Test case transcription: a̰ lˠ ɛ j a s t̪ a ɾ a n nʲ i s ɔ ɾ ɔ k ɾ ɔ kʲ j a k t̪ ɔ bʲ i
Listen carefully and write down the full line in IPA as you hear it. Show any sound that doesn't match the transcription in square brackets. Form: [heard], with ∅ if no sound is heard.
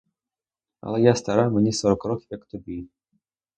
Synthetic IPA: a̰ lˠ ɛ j a s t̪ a ɾ a [m] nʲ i s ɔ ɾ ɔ k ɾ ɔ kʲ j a k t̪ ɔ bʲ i